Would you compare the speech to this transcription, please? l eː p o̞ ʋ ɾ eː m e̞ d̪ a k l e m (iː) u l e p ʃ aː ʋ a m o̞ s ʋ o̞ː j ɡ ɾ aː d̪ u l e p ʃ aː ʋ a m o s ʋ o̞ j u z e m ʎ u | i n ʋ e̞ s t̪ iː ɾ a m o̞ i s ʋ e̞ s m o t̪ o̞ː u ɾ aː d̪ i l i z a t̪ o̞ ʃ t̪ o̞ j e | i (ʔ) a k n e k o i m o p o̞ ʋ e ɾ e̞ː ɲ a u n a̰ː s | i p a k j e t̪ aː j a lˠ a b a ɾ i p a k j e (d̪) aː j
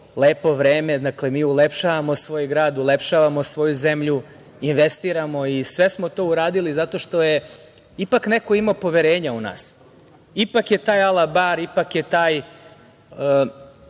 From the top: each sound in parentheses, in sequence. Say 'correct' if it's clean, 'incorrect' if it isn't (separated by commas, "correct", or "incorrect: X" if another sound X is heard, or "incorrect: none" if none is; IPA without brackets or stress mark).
correct, incorrect: p, incorrect: t̪